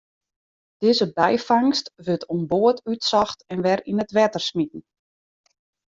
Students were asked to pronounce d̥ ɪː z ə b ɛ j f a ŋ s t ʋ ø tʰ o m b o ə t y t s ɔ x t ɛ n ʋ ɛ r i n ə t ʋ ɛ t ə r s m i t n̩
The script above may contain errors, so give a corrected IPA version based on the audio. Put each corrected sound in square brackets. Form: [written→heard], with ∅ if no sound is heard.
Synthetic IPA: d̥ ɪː z ə b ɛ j f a ŋ s t ʋ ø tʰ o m b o ə t y t s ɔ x t ɛ n ʋ ɛ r i n ə t ʋ ɛ t ə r s m i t n̩